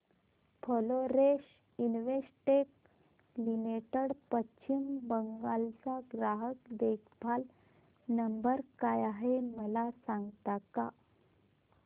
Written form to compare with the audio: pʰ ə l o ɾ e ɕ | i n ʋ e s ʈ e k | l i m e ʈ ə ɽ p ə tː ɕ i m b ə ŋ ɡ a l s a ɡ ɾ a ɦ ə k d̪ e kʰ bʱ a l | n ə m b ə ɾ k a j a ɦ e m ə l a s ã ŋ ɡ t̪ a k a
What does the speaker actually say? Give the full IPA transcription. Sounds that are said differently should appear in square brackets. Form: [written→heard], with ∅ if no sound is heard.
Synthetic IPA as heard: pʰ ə l o ɾ e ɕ | i n ʋ e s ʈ e k | l i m e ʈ ə ɽ p ə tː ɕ i m b ə ŋ ɡ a l [s→t͡s] a ɡ ɾ a ɦ ə k d̪ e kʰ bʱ a l | n ə m b ə ɾ k a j a ɦ e m ə l a s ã ŋ ɡ t̪ a k a